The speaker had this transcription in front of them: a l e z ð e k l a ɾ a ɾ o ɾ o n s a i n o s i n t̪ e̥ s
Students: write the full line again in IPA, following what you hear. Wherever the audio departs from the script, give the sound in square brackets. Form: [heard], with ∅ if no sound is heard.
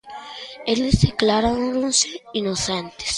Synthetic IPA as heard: [e] l e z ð e k l a ɾ a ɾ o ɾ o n s [e] i n o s [e] n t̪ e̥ s